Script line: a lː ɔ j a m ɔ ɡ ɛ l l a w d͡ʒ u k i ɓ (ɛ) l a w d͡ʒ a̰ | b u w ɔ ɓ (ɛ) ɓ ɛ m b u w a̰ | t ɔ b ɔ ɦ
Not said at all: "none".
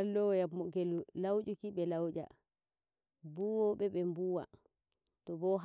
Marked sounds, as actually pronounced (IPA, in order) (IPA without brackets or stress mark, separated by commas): ɛ, ɛ